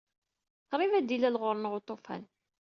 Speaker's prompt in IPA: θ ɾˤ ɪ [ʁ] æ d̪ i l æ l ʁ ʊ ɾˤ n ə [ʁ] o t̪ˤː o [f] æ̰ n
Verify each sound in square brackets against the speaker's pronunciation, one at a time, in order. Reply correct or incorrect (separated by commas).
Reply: incorrect, correct, correct